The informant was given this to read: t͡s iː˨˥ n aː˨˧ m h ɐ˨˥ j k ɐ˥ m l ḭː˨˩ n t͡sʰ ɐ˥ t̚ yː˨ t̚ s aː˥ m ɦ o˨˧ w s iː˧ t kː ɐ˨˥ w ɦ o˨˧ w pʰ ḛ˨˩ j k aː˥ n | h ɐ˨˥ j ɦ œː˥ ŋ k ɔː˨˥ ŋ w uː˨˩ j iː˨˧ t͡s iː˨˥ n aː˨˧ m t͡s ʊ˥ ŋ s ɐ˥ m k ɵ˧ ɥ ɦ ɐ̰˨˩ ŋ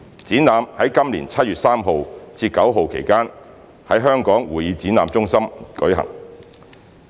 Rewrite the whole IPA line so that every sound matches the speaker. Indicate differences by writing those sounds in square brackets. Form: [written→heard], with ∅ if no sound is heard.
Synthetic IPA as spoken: t͡s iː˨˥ n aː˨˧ m h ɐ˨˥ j k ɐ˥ m l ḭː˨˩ n t͡sʰ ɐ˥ t̚ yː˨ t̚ s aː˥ m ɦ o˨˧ w [s→t͡s] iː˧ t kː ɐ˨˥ w ɦ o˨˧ w [pʰ→kʰ] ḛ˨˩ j k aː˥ n | h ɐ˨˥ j ɦ œː˥ ŋ k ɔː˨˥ ŋ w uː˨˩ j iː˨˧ t͡s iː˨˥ n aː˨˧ m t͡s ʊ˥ ŋ s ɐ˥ m k [ɵ˧→ɵ˨˥] ɥ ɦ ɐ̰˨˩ ŋ